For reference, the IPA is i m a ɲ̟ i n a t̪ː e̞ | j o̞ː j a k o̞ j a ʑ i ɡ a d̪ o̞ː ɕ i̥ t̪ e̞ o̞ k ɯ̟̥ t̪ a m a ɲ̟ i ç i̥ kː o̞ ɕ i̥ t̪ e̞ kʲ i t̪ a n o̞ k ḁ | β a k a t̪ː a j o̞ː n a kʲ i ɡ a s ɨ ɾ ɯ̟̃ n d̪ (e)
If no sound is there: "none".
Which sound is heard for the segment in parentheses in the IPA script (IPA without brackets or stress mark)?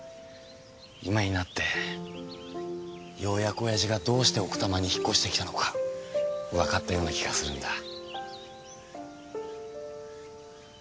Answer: a